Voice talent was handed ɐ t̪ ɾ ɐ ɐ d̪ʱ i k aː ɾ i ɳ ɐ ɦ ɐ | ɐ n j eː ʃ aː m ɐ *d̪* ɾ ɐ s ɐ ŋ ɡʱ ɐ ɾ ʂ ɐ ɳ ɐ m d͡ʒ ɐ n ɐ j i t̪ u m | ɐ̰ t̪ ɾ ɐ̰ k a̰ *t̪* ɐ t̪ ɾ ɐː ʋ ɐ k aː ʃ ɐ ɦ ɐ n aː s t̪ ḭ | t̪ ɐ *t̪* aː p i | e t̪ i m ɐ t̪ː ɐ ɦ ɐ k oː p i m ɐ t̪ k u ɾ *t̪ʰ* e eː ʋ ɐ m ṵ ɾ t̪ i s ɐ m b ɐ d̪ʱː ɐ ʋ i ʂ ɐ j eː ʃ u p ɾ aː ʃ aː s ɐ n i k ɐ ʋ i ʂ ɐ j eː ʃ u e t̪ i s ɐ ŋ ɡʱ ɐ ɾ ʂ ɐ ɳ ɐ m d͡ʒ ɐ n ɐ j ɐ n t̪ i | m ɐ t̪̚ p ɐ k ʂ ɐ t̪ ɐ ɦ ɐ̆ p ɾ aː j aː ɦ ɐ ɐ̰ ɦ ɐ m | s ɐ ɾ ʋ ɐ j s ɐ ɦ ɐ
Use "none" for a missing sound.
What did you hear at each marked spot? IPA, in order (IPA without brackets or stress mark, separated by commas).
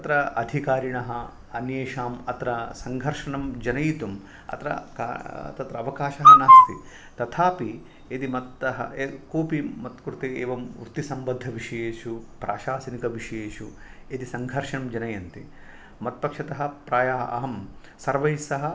t̪, t̪, t̪ʰ, t̪